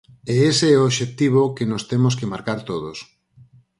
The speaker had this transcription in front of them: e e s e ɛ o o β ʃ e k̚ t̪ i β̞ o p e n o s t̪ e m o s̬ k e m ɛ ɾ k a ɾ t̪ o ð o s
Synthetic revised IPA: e e s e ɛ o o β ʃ e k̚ t̪ i β̞ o k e n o s t̪ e m o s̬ k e m a ɾ k a ɾ t̪ o ð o s

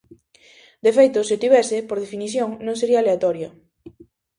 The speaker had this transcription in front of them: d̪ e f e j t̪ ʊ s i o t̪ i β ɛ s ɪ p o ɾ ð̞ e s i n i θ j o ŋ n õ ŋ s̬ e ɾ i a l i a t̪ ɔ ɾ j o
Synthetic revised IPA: d̪ e f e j t̪ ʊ s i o t̪ i β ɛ s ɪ p o ɾ ð̞ e f i n i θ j o ŋ n õ ŋ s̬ e ɾ i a l e a t̪ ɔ ɾ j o

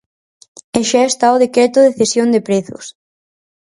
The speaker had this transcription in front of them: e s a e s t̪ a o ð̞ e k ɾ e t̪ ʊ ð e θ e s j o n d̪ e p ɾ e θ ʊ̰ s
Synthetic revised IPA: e ʃ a e s t̪ a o ð̞ e k ɾ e t̪ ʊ ð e θ e s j o n d̪ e p ɾ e θ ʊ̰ s

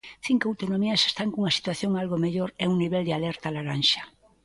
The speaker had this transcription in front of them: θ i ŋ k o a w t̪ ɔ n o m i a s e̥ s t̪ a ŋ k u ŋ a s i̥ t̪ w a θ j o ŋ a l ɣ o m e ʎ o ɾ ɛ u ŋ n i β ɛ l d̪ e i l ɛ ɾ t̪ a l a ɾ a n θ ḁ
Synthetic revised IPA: θ i ŋ k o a w t̪ o n o m i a s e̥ s t̪ a ŋ k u ŋ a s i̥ t̪ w a θ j o ŋ a l ɣ o m e ʎ o ɾ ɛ u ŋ n i β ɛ l d̪ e a l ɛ ɾ t̪ a l a ɾ a n ʃ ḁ

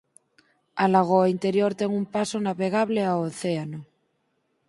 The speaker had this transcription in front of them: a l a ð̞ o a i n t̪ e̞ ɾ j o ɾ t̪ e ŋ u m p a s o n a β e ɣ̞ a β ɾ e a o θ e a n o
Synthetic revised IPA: a l a ɣ̞ o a i n t̪ e̞ ɾ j o ɾ t̪ e ŋ u m p a s o n a β e ɣ̞ a β l e a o θ e a n o

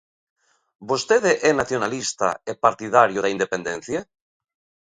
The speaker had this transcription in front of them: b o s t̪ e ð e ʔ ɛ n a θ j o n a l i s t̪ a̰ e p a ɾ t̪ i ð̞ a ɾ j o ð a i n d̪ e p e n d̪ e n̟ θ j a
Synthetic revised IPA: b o s t̪ e ð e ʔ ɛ n a θ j o n a l i s t̪ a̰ e p a ɾ t̪ i ð̞ a ɾ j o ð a i n d̪ e p e n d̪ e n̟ θ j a

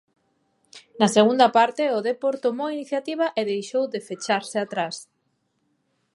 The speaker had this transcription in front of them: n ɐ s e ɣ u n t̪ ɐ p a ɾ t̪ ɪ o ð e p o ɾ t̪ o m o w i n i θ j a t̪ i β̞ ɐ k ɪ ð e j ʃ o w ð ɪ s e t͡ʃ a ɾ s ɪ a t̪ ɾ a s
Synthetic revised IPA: n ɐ s e ɣ u n d̪ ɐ p a ɾ t̪ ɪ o ð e p o ɾ t̪ o m o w i n i θ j a t̪ i β̞ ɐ ʔ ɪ ð e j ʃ o w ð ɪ f e t͡ʃ a ɾ s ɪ a t̪ ɾ a s

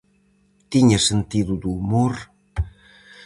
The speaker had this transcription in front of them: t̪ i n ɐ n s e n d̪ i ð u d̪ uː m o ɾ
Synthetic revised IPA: t̪ i ɲ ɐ s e n t̪ i ð u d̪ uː m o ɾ

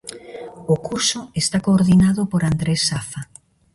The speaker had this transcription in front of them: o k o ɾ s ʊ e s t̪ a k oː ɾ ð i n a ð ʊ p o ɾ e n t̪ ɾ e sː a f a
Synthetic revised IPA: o k u ɾ s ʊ e s t̪ a k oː ɾ ð i n a ð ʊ p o ɾ a n d̪ ɾ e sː a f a

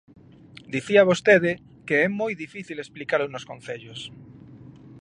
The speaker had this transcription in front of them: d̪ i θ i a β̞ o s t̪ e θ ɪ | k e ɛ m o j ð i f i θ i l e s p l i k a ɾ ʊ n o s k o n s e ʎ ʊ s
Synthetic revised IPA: d̪ i θ i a β̞ o s t̪ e ð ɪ | k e ɛ m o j ð i f i θ i l e s p l i k a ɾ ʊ n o s k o n θ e ʎ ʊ s

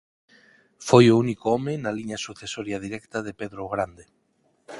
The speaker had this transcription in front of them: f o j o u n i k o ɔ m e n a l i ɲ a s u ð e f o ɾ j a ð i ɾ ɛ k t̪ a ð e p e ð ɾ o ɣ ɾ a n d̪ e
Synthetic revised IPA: f o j o u n i k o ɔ m e n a l i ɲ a s u θ e s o ɾ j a ð i ɾ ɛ k t̪ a ð e p e ð ɾ o ɣ ɾ a n d̪ e

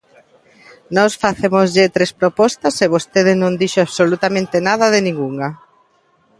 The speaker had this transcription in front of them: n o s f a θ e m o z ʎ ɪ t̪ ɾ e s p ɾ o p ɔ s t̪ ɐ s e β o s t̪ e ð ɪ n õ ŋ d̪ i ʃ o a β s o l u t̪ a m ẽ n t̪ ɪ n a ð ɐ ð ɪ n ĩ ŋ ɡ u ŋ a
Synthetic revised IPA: n ɔ s f a θ e m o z ʎ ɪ t̪ ɾ e s p ɾ o p ɔ s t̪ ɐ s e β o s t̪ e ð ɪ n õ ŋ d̪ i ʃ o a β s o l u t̪ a m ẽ n t̪ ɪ n a ð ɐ ð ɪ n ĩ ŋ ɡ u ŋ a

